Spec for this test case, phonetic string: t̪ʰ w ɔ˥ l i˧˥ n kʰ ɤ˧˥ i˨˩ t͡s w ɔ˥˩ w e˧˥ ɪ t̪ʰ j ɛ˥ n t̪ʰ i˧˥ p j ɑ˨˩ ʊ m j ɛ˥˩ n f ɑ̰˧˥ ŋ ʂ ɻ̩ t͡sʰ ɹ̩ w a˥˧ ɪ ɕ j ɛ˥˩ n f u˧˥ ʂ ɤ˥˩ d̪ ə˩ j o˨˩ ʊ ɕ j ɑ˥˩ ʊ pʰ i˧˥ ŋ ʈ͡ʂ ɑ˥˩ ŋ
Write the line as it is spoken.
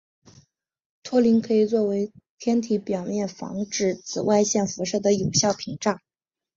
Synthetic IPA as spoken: t̪ʰ w ɔ˥ l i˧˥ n kʰ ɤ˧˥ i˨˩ t͡s w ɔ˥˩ w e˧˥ ɪ t̪ʰ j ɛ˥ n t̪ʰ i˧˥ p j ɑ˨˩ ʊ m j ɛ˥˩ n f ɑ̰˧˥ ŋ ʈ͡ʂ ɻ̩ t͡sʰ ɹ̩ w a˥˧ ɪ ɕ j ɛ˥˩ n f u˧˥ ʂ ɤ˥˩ d̪ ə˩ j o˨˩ ʊ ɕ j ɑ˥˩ ʊ pʰ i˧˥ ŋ ʈ͡ʂ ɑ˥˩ ŋ